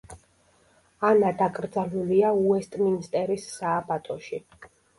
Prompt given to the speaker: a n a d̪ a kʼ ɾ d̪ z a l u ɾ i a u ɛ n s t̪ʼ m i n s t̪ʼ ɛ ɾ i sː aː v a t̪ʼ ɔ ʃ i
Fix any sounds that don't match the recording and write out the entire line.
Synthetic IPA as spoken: a n a d̪ a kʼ ɾ d̪ z a l u l i a u ɛ s t̪ʼ m i n s t̪ʼ ɛ ɾ i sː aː b a t̪ʼ ɔ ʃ i